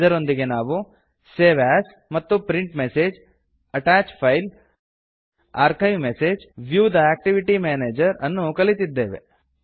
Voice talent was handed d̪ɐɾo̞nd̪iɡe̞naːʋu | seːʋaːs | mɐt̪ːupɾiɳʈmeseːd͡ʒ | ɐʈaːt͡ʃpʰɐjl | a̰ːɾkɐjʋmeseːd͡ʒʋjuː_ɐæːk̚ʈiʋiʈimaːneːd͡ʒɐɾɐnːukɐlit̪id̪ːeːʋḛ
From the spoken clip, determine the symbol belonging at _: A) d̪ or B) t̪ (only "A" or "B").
A